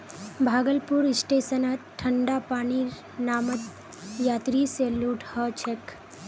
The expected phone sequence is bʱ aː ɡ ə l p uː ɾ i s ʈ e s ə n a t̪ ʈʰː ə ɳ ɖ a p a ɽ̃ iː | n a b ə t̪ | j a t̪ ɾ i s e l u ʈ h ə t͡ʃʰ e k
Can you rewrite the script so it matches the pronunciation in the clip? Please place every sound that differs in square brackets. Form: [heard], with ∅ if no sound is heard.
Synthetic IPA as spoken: bʱ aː ɡ ə l p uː ɾ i s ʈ e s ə n a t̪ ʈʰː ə ɳ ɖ a p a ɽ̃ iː | n a [m] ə t̪ | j a t̪ ɾ i s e l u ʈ h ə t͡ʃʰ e k